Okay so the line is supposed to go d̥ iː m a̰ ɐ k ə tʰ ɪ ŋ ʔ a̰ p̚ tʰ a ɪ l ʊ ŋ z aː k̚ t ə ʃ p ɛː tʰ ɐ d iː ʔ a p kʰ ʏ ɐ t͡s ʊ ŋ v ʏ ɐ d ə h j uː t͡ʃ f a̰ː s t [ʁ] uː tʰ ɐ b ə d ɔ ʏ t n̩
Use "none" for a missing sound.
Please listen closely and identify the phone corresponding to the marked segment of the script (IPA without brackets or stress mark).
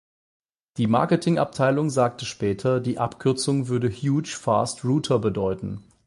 ʁ